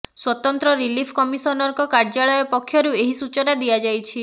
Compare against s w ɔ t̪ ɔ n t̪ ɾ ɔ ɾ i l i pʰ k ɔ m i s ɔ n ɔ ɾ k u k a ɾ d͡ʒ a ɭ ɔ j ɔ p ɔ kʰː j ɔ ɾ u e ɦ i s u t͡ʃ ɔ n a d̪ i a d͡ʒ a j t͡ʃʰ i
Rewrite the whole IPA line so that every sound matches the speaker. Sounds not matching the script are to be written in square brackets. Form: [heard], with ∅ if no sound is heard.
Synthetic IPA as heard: s w ɔ t̪ ɔ n t̪ ɾ ɔ ɾ i l i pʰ k ɔ m i s ɔ n ɔ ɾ k [ɔ] k a ɾ d͡ʒ a ɭ ɔ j ɔ p ɔ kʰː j ɔ ɾ u e ɦ i s u t͡ʃ ɔ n a d̪ i a d͡ʒ a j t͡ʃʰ i